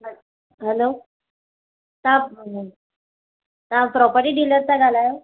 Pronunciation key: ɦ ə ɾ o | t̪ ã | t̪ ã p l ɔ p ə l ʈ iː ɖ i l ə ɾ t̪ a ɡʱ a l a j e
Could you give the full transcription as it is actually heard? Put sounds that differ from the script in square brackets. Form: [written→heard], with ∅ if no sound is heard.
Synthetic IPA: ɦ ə [ɾ→l] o | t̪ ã | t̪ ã p [l→ɾ] ɔ p ə [l→ɾ] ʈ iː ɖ i l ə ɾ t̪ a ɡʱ a l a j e